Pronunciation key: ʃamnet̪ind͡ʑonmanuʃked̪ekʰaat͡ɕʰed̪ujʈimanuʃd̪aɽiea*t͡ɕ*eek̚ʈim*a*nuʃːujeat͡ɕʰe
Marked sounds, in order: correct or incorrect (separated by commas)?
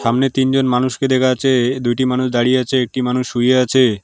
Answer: incorrect, correct